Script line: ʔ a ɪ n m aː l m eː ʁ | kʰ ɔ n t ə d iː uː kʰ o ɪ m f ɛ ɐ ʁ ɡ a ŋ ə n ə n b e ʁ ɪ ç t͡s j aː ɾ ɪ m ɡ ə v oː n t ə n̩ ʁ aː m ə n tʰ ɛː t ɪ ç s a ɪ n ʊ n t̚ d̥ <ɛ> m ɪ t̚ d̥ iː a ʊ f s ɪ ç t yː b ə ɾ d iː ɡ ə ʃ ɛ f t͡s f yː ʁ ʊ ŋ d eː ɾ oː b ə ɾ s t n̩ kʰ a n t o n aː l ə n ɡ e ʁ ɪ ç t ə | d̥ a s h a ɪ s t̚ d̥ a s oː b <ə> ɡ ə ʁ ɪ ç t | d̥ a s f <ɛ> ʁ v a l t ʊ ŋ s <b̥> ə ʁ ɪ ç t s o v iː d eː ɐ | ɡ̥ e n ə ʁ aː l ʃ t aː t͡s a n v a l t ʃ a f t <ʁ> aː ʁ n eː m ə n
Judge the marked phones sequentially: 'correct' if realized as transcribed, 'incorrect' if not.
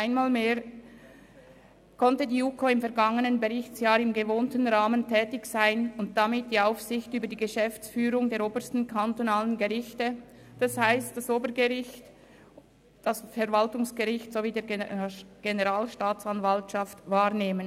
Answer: incorrect: a, correct, correct, incorrect: ɡ̥, incorrect: v

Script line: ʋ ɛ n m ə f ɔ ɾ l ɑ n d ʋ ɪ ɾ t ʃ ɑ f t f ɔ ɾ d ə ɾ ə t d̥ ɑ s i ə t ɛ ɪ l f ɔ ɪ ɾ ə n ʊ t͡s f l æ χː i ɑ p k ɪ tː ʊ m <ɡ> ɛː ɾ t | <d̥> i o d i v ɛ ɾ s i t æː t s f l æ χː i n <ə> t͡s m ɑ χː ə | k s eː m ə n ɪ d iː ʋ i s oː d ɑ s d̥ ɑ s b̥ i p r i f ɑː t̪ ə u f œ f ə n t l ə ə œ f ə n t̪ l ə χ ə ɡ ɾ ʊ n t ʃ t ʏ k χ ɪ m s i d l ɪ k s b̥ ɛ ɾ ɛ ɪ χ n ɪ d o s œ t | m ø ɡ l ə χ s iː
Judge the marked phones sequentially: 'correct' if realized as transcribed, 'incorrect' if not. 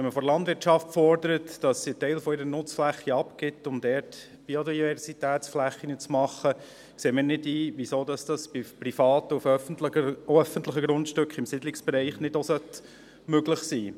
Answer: incorrect: d, incorrect: b̥, correct

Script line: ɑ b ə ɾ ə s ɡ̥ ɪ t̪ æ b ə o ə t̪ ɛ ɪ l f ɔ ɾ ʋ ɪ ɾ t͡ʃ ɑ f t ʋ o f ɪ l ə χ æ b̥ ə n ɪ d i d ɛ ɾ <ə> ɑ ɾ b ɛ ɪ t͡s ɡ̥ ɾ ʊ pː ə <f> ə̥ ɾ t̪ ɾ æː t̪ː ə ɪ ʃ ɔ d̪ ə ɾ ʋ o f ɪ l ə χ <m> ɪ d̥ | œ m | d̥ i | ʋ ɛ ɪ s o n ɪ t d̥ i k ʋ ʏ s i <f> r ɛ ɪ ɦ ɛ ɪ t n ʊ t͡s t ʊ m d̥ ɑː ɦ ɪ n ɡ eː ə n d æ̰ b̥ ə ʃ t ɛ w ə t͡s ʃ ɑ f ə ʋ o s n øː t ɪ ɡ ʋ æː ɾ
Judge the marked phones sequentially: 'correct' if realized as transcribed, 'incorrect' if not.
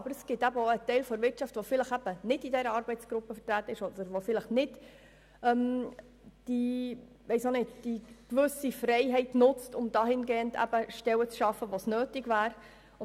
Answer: correct, correct, incorrect: n, correct

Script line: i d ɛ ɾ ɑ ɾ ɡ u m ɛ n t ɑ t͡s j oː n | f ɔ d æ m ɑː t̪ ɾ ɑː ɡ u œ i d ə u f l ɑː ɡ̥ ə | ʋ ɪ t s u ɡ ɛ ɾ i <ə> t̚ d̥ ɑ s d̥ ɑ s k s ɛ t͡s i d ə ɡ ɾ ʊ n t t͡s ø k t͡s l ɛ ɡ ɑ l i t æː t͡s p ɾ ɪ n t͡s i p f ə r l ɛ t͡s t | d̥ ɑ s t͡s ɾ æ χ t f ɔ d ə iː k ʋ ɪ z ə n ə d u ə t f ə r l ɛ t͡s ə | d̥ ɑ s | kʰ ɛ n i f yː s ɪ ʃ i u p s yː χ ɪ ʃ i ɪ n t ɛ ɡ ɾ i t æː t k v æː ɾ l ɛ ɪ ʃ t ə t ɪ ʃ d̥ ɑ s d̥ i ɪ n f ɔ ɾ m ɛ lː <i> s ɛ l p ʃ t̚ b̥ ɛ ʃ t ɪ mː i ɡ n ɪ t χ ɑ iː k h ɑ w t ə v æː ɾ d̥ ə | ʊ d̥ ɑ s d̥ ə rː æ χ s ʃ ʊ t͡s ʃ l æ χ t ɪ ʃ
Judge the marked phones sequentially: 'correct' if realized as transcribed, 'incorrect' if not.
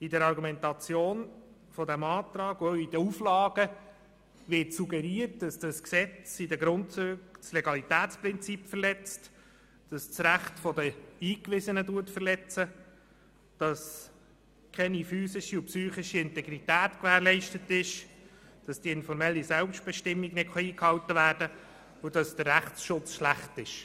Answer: correct, correct

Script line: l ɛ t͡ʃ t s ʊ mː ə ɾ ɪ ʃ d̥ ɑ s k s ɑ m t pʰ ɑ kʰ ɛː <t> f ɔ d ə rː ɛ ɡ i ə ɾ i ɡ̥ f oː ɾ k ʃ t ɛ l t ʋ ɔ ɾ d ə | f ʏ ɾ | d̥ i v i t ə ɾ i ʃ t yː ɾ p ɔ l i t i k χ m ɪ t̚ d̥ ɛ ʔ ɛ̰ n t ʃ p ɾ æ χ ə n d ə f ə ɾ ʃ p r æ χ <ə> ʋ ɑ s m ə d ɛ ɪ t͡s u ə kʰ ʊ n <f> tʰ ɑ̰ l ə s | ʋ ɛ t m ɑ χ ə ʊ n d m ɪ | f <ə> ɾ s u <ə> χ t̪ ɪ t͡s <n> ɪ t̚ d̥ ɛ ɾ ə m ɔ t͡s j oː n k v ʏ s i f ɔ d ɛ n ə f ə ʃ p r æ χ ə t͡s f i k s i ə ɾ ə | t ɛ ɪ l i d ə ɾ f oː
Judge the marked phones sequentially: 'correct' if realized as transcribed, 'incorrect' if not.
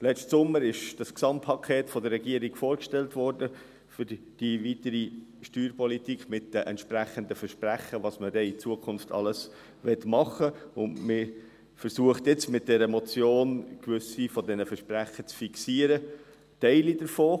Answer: correct, correct, correct, correct, correct, incorrect: m

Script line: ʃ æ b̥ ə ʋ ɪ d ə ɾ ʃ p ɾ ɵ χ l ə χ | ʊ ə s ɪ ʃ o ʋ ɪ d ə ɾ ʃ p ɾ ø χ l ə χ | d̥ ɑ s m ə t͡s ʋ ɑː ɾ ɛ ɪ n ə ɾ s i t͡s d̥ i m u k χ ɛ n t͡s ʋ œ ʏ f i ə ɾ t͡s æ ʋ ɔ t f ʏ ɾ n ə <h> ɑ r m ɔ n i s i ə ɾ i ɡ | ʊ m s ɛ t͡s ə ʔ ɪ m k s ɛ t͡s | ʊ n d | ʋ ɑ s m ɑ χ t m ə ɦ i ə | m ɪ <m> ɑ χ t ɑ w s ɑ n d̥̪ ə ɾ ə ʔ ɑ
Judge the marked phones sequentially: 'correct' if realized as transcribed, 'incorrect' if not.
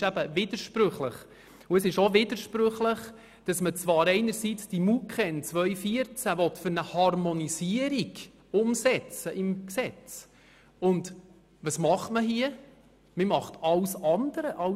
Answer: correct, correct

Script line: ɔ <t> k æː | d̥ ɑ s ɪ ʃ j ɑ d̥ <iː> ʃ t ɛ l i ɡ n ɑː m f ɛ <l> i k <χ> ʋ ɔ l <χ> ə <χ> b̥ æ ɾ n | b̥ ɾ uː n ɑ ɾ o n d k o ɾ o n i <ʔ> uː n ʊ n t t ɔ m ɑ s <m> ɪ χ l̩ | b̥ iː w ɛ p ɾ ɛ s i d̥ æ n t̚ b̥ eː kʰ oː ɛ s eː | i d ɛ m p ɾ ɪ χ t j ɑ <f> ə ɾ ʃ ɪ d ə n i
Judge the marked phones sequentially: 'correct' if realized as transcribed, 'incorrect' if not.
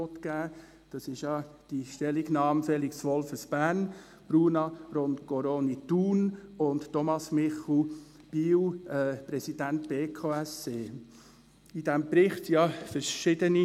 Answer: correct, incorrect: i, correct, incorrect: s, incorrect: f, incorrect: s, incorrect: t, correct, correct

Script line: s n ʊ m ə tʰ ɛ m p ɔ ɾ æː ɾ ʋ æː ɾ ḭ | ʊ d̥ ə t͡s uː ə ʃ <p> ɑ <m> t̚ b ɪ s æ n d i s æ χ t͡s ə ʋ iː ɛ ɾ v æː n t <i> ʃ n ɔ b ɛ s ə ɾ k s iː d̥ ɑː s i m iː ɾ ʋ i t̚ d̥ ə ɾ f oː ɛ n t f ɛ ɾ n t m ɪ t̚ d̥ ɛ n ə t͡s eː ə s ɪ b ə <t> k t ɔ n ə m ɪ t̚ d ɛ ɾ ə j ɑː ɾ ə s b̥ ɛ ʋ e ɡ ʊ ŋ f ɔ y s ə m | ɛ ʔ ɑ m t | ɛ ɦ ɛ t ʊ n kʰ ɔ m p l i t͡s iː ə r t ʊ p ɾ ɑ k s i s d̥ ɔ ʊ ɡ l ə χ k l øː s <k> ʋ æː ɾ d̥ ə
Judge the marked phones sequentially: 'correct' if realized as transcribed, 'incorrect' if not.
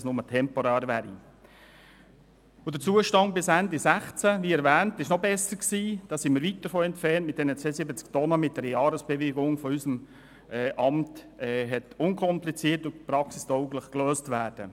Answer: incorrect: t, incorrect: n, incorrect: ɪ, incorrect: t͡s, incorrect: t

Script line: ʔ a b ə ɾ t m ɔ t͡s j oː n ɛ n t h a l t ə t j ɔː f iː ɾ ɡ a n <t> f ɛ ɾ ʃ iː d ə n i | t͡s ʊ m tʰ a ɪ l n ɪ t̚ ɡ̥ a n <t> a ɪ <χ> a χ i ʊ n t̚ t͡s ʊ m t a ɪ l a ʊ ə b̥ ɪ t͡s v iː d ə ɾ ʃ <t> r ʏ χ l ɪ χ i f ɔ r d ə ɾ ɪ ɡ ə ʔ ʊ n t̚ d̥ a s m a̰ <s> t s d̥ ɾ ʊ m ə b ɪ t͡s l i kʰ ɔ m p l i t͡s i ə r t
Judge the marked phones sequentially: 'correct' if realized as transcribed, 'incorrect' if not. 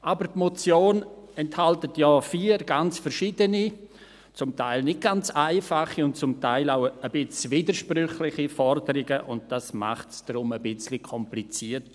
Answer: incorrect: t͡s, incorrect: t͡s, incorrect: f, incorrect: p, incorrect: χ

